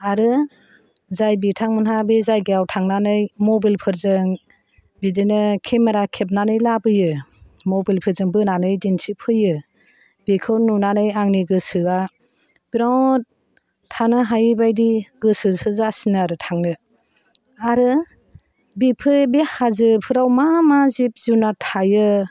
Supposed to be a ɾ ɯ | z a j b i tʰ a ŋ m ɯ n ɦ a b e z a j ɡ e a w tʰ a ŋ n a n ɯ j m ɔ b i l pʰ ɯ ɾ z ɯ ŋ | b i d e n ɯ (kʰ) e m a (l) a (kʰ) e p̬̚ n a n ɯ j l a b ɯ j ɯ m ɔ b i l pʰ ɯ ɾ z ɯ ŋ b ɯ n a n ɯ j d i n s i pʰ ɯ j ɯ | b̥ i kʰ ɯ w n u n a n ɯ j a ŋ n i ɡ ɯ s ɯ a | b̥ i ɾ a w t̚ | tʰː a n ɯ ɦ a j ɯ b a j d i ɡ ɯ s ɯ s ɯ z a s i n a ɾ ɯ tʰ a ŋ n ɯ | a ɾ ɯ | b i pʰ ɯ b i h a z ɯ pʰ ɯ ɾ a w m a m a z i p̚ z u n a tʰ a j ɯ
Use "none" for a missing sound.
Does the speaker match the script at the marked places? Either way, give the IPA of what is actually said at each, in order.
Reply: kʰ, ɾ, kʰ

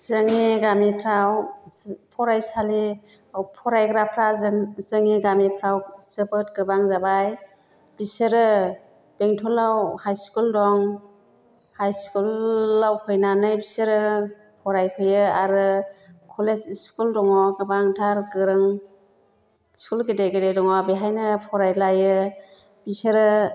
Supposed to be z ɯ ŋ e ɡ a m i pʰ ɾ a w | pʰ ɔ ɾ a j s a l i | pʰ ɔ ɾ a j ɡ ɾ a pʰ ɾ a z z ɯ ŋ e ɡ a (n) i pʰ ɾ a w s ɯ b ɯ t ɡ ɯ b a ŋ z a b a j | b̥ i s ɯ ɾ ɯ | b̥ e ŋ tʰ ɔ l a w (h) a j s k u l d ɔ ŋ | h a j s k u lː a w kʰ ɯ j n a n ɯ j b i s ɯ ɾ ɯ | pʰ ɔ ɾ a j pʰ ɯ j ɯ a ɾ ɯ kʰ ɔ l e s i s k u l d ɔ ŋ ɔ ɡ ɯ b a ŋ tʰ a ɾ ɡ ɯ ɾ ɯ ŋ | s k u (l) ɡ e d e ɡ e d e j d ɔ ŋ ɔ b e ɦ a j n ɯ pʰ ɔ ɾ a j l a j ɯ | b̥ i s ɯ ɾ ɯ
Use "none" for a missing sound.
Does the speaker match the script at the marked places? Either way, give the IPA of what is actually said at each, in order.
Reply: m, h, l

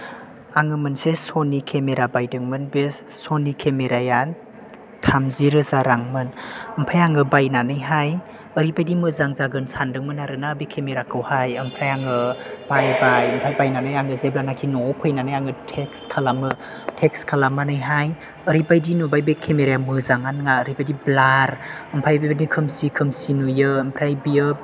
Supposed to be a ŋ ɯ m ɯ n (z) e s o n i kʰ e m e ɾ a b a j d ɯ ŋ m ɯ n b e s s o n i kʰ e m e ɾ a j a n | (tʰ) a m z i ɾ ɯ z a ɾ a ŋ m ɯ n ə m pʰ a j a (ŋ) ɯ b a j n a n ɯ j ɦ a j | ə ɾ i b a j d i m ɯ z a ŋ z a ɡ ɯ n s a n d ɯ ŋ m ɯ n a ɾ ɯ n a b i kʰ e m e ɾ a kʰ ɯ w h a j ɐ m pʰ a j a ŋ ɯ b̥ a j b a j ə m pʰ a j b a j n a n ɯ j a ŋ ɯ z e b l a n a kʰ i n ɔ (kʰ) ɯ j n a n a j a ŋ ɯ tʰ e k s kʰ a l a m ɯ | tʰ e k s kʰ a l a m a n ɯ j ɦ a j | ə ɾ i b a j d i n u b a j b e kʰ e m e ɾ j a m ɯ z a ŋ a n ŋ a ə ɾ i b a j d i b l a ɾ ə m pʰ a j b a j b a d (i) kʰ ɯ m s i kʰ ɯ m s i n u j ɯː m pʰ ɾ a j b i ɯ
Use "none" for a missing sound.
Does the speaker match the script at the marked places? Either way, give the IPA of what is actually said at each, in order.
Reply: s, tʰ, ŋ, pʰ, i

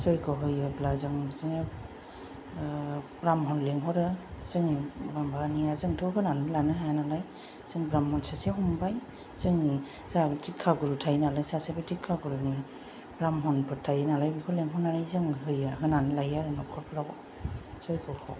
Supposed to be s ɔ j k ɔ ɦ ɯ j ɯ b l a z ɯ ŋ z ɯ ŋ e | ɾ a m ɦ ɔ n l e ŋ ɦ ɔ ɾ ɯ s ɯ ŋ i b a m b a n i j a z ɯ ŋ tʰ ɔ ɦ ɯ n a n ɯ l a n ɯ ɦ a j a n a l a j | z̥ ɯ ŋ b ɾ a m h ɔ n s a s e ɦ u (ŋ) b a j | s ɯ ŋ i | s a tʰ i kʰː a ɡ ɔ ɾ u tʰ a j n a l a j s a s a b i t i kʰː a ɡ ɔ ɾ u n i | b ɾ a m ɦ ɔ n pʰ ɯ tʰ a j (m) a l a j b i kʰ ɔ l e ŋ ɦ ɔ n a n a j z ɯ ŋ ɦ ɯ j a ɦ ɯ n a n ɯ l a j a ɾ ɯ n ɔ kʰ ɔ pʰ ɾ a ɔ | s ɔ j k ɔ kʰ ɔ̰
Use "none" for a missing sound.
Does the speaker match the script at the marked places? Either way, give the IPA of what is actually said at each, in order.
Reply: m, n

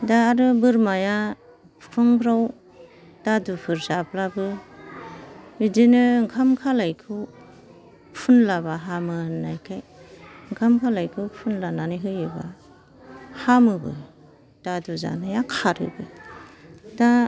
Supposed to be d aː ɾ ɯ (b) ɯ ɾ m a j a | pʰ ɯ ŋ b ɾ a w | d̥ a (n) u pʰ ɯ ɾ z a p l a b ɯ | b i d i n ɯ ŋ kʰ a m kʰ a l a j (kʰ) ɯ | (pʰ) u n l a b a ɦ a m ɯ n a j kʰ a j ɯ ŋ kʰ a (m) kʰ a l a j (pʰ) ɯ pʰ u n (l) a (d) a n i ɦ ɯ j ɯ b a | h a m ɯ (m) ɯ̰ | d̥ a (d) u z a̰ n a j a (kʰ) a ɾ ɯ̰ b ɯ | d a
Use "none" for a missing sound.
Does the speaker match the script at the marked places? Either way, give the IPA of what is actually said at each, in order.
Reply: b, d, kʰ, pʰ, m, kʰ, l, n, b, d, kʰ

